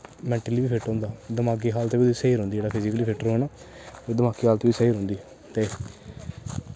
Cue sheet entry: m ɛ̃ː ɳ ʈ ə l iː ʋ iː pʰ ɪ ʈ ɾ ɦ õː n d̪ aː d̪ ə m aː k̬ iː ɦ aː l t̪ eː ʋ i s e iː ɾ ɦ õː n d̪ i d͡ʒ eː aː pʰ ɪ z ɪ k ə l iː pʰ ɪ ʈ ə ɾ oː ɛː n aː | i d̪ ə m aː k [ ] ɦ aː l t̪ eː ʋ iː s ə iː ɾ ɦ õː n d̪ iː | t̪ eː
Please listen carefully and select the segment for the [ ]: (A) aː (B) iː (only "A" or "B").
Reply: B